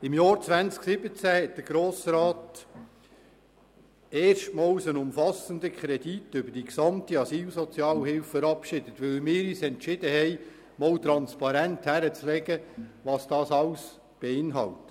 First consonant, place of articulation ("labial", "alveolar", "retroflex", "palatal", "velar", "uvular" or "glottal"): labial